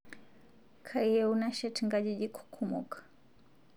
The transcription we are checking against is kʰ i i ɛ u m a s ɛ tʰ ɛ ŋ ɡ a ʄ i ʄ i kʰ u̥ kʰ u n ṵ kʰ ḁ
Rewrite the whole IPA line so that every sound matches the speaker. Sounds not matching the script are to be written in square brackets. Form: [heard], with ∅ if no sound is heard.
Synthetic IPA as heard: kʰ [a] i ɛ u [n] a [ʃ] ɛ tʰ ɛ ŋ ɡ a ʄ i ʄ i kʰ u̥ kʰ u [m] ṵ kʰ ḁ